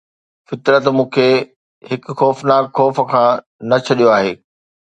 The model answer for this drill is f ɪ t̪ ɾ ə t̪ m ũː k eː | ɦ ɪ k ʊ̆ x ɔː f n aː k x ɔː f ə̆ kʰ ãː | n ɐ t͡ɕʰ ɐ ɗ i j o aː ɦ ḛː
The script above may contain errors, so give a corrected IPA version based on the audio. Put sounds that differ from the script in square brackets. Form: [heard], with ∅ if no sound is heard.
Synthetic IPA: f ɪ t̪ ɾ ə t̪ m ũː [kʰ] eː | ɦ ɪ k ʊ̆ x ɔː f n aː k x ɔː f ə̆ kʰ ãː | n ɐ t͡ɕʰ ɐ ɗ i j o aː ɦ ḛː